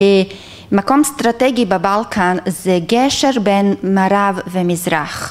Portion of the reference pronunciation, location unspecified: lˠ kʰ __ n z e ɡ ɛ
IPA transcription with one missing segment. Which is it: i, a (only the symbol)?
a